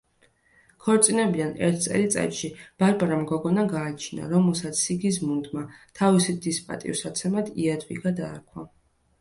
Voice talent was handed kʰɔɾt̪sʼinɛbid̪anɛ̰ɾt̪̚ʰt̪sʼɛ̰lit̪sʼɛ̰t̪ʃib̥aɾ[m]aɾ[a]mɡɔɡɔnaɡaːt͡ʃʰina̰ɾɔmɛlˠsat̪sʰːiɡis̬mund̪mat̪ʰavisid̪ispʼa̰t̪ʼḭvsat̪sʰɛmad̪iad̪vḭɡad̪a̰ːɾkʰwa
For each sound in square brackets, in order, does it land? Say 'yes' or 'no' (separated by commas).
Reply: no, yes